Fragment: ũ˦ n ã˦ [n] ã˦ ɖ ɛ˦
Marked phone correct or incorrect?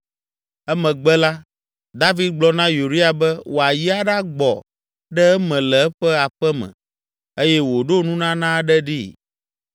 correct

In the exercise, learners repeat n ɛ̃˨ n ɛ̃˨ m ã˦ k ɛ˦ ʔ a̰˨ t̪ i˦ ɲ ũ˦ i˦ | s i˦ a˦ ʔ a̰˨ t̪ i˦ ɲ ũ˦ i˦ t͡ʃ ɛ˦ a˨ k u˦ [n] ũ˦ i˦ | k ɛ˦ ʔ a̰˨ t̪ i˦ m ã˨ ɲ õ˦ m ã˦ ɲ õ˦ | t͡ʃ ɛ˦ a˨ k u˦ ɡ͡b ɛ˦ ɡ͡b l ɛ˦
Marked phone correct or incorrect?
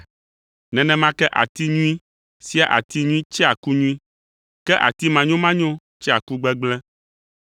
incorrect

